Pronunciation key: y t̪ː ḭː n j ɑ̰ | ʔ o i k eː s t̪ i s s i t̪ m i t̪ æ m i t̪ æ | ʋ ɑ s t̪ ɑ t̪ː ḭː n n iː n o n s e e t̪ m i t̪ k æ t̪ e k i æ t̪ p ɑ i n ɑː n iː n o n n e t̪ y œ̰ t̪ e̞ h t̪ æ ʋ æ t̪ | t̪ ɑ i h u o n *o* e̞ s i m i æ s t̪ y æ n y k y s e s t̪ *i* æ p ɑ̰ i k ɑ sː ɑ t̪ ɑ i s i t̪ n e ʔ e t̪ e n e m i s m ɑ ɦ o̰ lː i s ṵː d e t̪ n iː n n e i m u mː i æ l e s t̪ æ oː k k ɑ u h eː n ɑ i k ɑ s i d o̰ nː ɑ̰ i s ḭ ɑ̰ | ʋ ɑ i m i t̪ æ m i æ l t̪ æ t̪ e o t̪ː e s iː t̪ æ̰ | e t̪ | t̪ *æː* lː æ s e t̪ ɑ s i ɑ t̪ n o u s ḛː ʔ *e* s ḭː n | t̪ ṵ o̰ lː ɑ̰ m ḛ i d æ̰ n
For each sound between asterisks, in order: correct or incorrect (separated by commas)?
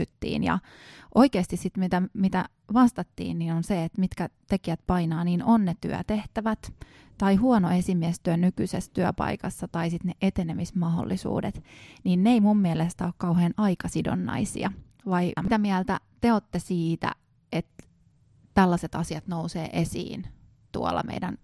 correct, incorrect, incorrect, correct